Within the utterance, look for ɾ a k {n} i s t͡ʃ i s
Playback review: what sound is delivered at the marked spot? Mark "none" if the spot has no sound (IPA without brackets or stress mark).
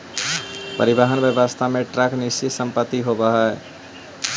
n